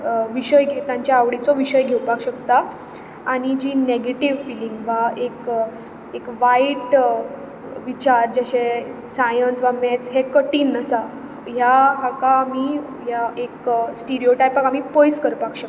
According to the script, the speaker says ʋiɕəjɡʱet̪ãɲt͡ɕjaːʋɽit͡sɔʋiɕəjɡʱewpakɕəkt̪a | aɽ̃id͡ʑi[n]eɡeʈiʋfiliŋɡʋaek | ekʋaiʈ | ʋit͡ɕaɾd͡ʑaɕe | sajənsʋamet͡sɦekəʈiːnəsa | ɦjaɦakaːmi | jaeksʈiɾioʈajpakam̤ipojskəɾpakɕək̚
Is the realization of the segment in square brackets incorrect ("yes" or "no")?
no